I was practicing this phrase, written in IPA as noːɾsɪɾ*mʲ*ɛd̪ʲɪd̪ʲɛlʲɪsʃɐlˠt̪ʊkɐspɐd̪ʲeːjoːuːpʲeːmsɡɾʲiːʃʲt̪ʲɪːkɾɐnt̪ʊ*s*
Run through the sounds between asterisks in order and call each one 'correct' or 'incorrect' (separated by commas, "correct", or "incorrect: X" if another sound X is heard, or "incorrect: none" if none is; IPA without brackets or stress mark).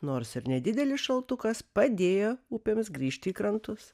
incorrect: nʲ, correct